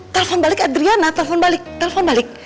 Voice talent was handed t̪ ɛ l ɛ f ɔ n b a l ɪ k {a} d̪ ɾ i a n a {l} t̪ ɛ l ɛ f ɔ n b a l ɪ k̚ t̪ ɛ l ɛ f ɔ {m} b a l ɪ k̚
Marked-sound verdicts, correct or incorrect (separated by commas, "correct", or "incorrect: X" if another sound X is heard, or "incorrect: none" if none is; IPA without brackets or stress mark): correct, incorrect: none, incorrect: n